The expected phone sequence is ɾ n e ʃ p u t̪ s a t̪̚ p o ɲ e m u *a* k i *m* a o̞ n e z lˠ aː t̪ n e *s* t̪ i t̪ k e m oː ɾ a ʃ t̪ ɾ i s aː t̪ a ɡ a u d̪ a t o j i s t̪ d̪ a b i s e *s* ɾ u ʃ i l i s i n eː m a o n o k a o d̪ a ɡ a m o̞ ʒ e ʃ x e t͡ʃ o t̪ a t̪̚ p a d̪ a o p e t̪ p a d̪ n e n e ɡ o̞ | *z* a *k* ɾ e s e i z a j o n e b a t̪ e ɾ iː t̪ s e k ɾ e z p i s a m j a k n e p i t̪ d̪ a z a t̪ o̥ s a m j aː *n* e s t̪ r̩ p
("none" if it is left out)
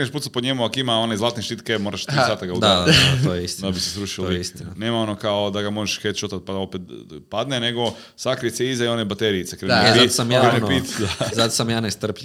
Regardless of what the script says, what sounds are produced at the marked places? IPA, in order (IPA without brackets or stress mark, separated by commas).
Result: a, m, ʃ, s, s, k, n